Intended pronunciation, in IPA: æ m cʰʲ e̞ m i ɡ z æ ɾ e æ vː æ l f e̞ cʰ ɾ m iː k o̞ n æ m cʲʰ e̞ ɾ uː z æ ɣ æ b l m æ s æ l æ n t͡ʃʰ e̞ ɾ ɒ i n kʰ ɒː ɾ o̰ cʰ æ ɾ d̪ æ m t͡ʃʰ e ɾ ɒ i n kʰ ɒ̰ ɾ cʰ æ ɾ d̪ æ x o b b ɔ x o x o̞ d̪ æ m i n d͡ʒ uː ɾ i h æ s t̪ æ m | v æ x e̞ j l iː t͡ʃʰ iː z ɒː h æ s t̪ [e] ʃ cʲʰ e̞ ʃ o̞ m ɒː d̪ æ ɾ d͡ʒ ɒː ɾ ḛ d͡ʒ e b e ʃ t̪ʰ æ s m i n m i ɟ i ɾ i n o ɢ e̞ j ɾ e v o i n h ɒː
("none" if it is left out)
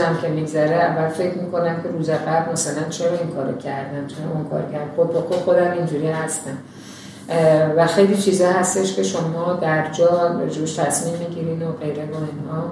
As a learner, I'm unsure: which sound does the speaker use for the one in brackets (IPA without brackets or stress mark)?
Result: e